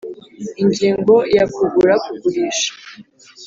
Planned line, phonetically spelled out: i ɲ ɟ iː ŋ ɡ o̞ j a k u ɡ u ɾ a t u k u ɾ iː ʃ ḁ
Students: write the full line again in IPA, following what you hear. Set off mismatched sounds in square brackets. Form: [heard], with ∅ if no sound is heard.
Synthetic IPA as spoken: i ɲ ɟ iː ŋ ɡ o̞ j a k u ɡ u ɾ a [k] u [ɡ] u ɾ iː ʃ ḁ